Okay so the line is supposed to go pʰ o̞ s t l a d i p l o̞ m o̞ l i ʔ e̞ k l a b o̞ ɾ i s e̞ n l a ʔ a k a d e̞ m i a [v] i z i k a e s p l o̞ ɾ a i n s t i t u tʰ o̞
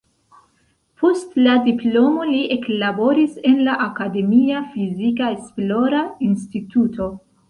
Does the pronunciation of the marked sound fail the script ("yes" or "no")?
yes